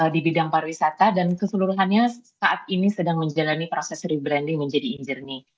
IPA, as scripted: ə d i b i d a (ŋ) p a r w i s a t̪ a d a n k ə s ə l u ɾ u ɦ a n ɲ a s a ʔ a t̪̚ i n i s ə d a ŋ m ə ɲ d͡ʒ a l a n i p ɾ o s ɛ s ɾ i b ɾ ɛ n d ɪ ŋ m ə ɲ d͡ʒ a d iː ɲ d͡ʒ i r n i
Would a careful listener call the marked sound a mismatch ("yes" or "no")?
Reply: no